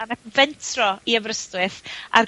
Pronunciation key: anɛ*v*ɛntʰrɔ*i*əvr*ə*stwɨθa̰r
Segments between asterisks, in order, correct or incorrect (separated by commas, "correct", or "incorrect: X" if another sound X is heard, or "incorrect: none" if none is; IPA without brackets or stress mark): correct, correct, correct